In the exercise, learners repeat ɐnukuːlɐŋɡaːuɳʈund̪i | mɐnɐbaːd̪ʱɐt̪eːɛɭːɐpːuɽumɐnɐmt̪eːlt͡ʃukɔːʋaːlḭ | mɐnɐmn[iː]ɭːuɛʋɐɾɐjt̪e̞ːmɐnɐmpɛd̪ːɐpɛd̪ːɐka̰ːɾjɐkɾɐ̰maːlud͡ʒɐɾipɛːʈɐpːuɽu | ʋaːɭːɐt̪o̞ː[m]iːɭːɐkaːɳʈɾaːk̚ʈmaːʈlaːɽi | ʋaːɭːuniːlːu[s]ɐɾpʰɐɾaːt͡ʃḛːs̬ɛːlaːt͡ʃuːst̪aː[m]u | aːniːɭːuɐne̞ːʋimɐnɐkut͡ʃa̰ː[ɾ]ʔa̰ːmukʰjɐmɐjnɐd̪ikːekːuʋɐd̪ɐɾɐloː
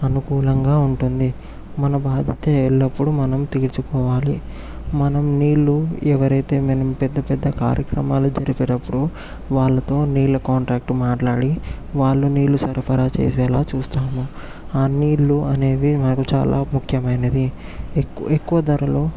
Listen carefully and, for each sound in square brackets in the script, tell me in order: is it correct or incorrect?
correct, incorrect, correct, correct, incorrect

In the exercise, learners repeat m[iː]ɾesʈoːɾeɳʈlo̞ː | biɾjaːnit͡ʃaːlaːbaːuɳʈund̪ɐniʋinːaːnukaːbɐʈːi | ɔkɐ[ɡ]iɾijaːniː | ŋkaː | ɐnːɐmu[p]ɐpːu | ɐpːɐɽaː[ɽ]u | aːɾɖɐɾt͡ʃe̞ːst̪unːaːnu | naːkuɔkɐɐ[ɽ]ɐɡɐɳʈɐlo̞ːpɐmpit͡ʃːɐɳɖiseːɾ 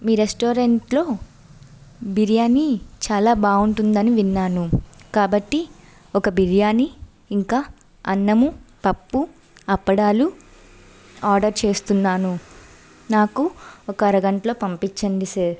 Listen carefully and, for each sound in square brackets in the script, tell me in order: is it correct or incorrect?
correct, incorrect, correct, incorrect, incorrect

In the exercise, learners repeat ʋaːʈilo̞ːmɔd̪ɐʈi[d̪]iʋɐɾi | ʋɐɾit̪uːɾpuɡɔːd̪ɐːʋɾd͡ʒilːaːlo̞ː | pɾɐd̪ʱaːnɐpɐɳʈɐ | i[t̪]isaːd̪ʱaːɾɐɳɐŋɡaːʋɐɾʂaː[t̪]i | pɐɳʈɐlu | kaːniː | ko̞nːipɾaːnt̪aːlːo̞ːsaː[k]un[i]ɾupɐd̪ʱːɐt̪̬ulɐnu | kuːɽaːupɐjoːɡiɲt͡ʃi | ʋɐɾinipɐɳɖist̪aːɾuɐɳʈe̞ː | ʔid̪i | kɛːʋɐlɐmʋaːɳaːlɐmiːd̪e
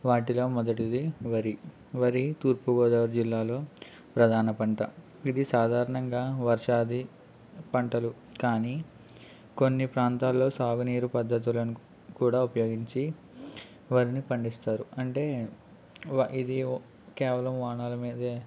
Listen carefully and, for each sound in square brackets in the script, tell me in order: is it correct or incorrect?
correct, incorrect, incorrect, incorrect, incorrect

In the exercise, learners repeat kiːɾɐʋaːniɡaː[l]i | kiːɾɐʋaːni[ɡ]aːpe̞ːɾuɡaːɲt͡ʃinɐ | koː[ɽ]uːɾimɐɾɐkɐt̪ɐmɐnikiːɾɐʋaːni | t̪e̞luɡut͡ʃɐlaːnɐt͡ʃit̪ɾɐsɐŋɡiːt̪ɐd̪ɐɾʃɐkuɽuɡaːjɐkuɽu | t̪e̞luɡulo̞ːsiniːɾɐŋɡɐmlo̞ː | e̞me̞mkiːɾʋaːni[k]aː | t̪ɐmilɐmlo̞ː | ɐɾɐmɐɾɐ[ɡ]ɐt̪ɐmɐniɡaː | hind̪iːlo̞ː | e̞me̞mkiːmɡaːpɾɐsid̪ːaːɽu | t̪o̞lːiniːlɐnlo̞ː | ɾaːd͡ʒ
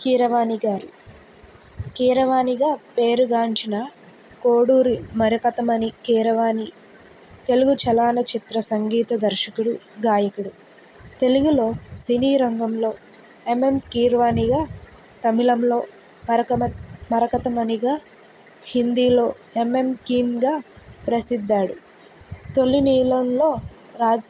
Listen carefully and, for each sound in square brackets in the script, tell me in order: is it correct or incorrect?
incorrect, correct, correct, incorrect, incorrect

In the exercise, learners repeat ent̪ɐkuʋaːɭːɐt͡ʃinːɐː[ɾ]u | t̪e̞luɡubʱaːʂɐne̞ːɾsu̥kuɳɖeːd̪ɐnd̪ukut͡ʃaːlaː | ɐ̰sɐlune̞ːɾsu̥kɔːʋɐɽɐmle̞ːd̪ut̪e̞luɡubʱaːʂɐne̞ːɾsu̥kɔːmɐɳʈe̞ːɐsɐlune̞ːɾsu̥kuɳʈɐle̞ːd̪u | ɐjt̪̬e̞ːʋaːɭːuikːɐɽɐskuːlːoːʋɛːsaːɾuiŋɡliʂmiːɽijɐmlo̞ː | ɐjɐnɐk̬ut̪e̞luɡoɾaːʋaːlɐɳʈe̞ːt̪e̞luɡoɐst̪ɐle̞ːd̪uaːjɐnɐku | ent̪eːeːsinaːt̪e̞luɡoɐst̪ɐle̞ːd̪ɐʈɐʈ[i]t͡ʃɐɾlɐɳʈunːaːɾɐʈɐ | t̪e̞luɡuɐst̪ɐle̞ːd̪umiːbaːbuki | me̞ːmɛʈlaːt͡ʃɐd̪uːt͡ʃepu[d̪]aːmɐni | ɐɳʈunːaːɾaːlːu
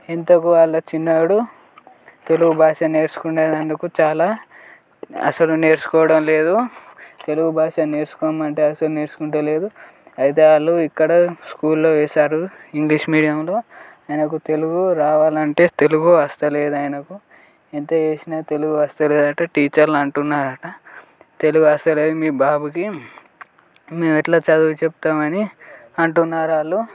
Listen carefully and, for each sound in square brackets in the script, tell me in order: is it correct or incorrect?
incorrect, incorrect, incorrect

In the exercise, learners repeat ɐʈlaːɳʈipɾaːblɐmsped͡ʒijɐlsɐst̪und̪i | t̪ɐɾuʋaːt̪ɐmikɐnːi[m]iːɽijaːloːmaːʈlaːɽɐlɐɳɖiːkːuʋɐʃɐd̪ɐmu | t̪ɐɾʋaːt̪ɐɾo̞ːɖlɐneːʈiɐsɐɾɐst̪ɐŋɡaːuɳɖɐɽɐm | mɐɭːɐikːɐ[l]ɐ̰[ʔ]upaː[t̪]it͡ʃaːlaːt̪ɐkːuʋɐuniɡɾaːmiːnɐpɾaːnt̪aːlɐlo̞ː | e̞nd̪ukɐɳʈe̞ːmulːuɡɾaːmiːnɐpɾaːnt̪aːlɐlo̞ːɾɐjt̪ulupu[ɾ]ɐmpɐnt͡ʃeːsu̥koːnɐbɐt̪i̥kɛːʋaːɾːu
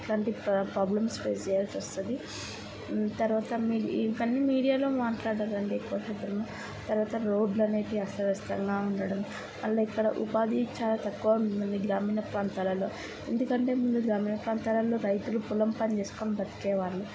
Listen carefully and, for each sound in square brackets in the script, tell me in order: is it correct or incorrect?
correct, incorrect, correct, incorrect, incorrect

